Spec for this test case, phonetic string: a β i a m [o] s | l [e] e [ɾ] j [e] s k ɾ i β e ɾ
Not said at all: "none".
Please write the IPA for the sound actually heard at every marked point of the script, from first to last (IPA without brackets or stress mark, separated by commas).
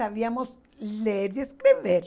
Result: o, e, ɾ, e